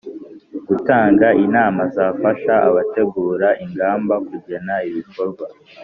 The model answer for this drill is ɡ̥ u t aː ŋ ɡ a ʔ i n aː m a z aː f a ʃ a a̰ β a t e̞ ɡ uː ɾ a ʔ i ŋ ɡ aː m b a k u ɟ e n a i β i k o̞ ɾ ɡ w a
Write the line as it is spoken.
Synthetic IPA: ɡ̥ u t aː ŋ ɡ a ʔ i n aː m a z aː f a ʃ a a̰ β a t e̞ ɡ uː ɾ a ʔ i ŋ ɡ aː m b a k u ɟ e n a i β i k o̞ ɾ ɡ w a